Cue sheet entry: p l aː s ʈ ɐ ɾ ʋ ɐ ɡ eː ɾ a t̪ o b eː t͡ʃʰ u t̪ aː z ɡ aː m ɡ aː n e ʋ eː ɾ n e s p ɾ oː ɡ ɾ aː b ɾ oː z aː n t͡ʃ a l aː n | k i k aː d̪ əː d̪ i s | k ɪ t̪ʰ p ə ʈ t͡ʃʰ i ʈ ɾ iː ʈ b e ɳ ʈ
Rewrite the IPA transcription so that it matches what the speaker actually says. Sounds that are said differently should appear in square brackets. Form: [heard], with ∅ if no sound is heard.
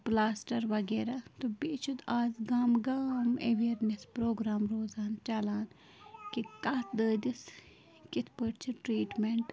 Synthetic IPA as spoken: p l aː s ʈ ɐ ɾ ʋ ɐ ɡ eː ɾ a t̪ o b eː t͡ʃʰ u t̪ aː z ɡ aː m ɡ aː [m] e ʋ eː ɾ n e s p ɾ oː ɡ ɾ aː [m] ɾ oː z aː n t͡ʃ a l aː n | k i k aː d̪ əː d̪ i s | k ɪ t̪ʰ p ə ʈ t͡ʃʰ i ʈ ɾ iː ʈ [m] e ɳ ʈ